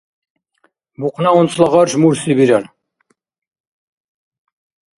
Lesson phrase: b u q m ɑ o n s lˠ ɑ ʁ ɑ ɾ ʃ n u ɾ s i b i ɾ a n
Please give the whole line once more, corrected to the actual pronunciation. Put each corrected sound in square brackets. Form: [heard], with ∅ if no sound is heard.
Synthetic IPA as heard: b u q [n] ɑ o n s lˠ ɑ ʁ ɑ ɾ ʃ [m] u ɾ s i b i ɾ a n